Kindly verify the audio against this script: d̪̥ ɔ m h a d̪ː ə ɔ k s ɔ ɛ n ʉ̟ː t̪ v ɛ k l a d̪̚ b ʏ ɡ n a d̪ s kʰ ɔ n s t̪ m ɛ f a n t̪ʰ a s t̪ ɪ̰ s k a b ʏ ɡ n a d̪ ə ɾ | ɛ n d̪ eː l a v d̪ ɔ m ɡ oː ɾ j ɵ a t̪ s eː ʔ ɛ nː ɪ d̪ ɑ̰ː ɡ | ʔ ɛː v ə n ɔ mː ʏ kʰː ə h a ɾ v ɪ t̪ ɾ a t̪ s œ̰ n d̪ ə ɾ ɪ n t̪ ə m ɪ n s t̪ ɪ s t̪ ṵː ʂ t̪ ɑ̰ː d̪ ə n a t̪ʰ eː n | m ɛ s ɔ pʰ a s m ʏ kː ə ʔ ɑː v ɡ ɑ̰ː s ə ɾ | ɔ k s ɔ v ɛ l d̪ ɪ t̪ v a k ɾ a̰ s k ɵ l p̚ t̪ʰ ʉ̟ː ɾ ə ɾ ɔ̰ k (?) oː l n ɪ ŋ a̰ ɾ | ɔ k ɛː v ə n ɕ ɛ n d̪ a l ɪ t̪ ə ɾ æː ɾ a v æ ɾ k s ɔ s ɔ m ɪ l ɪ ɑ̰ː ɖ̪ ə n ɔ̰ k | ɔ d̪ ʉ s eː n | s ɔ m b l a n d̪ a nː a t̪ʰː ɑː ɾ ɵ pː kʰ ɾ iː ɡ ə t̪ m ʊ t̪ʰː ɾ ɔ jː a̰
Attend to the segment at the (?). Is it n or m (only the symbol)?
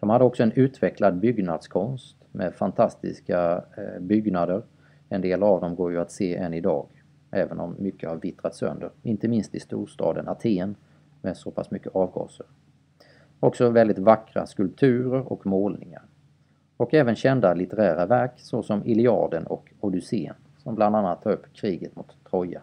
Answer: m